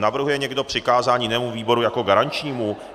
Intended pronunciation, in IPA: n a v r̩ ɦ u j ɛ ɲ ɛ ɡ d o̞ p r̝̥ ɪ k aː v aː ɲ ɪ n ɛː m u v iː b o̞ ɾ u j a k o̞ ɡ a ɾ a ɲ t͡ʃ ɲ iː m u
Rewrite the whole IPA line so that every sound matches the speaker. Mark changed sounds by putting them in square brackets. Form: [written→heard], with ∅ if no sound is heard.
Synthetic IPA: n a v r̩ ɦ u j ɛ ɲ ɛ ɡ d o̞ p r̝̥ ɪ k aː [v→z] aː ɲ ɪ n ɛː m u v iː b o̞ ɾ u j a k o̞ ɡ a ɾ a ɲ t͡ʃ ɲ iː m u